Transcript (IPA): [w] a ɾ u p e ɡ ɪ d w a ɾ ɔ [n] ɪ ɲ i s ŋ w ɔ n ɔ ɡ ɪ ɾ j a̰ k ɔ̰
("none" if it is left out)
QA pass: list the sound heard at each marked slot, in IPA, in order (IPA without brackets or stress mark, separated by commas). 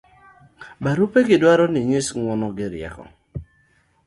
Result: b, n